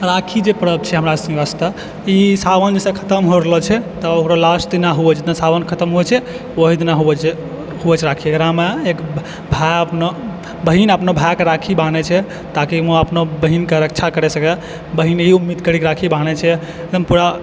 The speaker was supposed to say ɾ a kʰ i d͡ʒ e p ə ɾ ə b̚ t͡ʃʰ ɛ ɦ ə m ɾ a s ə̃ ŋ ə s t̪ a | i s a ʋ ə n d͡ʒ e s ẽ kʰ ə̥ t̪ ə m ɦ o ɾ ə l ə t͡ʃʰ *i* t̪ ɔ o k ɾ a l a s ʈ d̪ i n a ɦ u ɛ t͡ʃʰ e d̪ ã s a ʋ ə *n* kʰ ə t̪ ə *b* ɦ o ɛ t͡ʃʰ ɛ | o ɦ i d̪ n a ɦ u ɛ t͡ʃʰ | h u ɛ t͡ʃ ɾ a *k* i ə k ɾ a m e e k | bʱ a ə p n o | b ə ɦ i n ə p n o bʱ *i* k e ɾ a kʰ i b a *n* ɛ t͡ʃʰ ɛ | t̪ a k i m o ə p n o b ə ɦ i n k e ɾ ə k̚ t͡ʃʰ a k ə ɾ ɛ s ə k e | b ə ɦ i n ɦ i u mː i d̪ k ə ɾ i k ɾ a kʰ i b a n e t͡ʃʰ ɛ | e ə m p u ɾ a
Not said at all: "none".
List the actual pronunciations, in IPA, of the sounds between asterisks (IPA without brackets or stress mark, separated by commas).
ɛ, n, m, kʰ, a, n